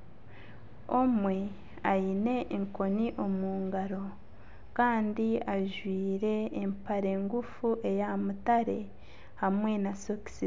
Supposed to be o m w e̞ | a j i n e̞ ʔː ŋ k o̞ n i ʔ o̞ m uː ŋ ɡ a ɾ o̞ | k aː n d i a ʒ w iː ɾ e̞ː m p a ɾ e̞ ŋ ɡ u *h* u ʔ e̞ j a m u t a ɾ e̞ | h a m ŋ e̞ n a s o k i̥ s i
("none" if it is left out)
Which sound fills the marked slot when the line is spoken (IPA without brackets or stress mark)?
f